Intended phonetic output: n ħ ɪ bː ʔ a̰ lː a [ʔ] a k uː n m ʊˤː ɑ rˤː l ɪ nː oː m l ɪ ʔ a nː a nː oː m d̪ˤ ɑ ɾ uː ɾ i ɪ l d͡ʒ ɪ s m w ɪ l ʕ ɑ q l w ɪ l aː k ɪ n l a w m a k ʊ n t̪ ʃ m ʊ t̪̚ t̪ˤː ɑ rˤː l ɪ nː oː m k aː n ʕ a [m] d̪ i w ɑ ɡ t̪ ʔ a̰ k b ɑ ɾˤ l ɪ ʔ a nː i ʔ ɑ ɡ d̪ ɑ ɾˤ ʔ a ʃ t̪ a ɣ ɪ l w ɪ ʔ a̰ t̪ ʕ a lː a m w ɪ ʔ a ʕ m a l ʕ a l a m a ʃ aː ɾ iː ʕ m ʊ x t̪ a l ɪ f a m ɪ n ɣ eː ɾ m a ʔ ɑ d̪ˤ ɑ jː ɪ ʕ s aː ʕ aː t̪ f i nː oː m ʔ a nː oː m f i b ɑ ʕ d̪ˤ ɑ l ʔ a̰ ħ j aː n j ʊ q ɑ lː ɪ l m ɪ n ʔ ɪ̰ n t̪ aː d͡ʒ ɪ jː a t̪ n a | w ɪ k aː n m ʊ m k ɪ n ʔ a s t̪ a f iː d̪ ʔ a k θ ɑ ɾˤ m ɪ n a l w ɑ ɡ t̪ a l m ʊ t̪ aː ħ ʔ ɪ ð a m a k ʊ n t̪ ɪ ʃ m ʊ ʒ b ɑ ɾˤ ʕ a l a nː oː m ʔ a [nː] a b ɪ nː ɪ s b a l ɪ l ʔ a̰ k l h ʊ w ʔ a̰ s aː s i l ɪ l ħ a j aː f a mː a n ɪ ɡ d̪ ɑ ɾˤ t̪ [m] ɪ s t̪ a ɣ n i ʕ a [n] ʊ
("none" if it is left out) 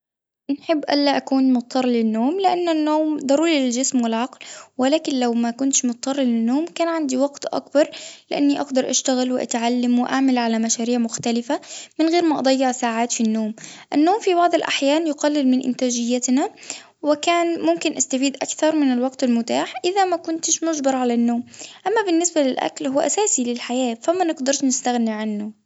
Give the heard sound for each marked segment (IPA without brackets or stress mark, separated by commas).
ʔ, n, mː, n, nː